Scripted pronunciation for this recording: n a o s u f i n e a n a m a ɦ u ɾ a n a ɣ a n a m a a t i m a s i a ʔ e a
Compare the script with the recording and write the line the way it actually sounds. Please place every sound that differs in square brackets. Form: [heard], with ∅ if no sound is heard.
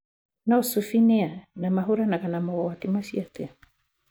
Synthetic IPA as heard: n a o s u f i n e a n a m a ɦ u ɾ a n a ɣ a n a m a a t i m a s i a [t] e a

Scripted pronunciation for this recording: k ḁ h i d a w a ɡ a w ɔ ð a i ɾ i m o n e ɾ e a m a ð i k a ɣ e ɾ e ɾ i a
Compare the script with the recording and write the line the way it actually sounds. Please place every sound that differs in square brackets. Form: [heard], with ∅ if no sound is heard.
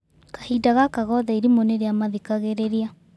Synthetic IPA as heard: k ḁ h i d a [ɣ] a [k] a [ɣ] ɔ ð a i ɾ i m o n e ɾ e a m a ð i k a ɣ e ɾ e ɾ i a

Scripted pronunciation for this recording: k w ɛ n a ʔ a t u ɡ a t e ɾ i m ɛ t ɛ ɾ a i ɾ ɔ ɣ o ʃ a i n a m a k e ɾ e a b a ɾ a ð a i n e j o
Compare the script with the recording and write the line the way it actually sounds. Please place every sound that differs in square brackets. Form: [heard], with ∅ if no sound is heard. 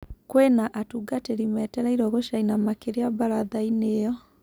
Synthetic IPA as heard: k w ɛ n a ʔ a t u ɡ a t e ɾ i m ɛ t ɛ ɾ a i ɾ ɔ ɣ o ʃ a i n a m a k e ɾ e a b a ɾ a ð a i n e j [ɔ]

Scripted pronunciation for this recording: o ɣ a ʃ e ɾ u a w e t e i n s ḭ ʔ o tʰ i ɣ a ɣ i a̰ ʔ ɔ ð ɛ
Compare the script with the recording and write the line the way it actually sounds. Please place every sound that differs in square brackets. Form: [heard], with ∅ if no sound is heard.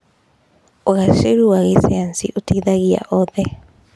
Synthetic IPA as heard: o ɣ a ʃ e ɾ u a [ɣ] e [s] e [a] n s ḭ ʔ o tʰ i [ð] a ɣ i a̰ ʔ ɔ ð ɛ

